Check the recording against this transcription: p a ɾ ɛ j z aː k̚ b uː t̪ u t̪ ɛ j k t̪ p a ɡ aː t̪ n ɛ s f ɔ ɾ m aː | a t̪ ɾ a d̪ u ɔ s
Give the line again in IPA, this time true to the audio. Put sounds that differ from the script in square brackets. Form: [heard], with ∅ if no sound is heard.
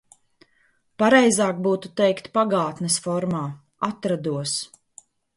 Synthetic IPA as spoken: p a ɾ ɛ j z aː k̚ b uː t̪ u t̪ ɛ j k t̪ p a ɡ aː t̪ n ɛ s f ɔ ɾ m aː | a t̪ ɾ a d̪ u ɔ s